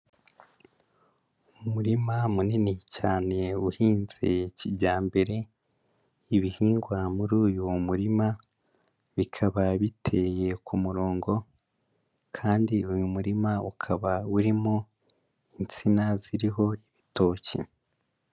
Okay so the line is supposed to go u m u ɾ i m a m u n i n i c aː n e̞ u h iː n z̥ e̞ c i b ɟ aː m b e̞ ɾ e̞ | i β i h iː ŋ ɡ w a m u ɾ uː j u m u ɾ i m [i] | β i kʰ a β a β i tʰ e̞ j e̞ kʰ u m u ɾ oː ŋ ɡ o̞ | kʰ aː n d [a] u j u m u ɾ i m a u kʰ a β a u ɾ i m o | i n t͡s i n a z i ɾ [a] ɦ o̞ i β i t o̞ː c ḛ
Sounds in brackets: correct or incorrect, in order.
incorrect: a, incorrect: i, incorrect: i

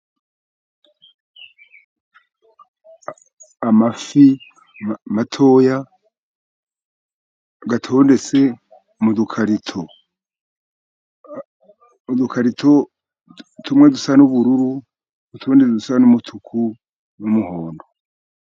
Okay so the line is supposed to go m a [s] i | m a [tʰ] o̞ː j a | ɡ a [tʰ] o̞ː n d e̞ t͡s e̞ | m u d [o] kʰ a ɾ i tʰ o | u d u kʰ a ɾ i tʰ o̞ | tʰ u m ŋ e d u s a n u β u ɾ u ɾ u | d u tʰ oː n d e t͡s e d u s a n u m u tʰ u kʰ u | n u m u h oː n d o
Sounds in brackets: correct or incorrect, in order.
incorrect: f, correct, correct, incorrect: u

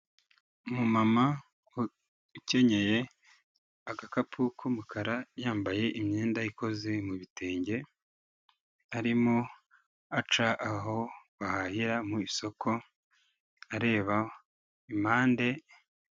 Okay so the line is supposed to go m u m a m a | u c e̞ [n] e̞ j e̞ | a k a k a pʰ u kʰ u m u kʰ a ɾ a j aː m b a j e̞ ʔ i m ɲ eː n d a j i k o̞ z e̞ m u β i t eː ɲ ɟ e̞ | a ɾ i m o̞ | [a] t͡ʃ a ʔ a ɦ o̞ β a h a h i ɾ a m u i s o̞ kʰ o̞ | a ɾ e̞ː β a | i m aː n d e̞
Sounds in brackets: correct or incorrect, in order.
incorrect: ɲ, correct

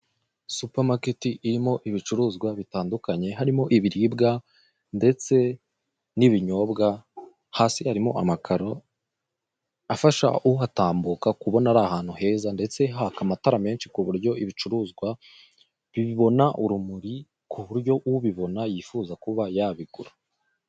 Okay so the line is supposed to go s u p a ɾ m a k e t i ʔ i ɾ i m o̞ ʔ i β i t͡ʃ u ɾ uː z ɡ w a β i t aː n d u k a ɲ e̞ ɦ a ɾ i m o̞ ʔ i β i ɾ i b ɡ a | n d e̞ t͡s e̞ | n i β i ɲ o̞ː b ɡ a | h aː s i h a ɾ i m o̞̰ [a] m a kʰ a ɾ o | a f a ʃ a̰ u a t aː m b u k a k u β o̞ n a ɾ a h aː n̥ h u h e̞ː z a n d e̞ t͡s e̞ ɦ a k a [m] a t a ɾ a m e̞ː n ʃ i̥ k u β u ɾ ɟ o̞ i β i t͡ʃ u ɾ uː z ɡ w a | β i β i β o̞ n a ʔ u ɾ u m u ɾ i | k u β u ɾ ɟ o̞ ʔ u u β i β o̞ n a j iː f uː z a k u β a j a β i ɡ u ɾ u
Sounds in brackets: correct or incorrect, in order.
correct, correct

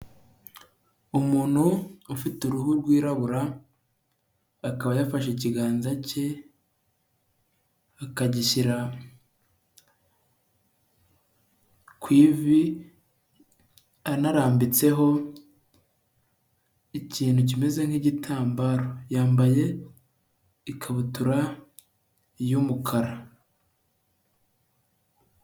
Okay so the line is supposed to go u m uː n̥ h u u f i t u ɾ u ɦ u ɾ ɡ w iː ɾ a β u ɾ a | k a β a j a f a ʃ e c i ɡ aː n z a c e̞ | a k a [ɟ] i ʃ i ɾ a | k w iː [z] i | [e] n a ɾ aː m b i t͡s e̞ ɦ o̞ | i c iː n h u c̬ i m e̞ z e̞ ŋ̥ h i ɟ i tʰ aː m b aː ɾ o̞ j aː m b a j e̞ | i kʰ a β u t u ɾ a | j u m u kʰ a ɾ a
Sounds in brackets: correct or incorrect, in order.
correct, incorrect: v, incorrect: a

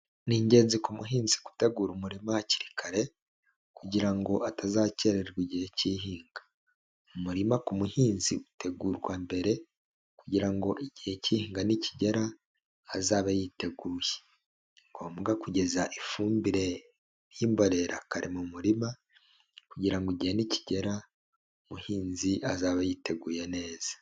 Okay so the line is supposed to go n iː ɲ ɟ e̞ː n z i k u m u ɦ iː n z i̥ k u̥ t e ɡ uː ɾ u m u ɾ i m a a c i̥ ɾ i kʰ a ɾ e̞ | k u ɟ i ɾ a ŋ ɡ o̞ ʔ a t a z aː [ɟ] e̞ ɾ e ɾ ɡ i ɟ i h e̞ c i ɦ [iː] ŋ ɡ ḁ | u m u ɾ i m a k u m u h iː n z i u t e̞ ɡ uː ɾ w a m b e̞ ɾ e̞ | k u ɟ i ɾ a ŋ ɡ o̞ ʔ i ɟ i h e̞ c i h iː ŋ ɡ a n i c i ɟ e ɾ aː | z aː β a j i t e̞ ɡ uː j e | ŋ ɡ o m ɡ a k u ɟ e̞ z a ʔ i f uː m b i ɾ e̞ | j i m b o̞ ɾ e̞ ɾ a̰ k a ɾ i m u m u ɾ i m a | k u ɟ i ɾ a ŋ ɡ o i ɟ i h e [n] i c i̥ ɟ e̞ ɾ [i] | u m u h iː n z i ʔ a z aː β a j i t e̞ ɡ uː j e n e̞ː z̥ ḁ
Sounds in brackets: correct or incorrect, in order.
incorrect: c, correct, correct, incorrect: a

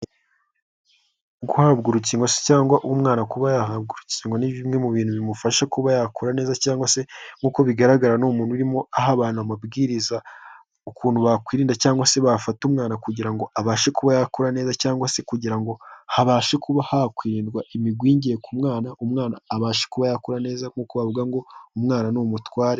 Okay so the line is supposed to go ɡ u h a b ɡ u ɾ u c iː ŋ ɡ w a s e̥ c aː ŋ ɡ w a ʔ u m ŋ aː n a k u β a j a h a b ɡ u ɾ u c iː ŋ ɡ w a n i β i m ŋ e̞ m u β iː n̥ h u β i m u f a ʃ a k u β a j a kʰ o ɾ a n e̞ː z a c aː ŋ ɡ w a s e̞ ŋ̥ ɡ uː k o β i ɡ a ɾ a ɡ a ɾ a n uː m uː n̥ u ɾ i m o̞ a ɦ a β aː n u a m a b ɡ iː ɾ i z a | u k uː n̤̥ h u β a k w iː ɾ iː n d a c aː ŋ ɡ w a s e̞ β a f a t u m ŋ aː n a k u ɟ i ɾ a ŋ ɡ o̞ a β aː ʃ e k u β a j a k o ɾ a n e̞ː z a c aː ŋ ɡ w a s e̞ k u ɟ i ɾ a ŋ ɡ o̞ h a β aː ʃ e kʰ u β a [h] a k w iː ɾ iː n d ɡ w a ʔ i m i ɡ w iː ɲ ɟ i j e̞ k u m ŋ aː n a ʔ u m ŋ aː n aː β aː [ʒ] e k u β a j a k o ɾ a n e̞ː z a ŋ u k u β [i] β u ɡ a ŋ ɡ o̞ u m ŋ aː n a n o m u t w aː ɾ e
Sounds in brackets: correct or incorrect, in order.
correct, incorrect: ʃ, incorrect: a

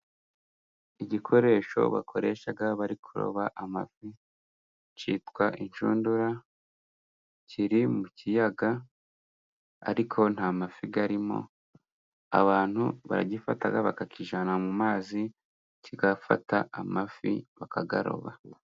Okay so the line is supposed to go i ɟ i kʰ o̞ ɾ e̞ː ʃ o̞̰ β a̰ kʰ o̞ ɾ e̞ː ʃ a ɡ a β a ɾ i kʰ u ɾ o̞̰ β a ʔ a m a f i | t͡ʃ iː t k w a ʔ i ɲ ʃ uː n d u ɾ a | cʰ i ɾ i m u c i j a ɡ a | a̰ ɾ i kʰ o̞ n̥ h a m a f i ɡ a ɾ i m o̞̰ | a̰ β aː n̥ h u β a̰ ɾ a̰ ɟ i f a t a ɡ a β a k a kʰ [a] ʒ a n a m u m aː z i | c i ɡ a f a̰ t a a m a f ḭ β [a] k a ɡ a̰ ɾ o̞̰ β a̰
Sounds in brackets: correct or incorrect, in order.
incorrect: i, correct

